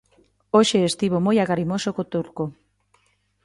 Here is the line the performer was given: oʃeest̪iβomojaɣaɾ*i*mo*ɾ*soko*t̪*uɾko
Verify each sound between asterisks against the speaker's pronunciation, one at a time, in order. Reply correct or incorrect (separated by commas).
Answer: correct, incorrect, correct